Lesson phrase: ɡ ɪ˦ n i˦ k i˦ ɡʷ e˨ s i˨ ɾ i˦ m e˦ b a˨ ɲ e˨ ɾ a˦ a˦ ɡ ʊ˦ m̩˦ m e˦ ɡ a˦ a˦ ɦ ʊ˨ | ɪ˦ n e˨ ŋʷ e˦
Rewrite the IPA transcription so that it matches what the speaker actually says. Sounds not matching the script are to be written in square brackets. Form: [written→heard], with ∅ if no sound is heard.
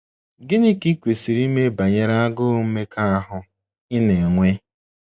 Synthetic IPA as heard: ɡ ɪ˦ n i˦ k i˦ [ɡʷ→kʷ] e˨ s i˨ ɾ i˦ m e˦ b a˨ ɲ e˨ ɾ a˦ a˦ ɡ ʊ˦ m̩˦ m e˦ [ɡ→k] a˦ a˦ ɦ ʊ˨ | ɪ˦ n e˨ ŋʷ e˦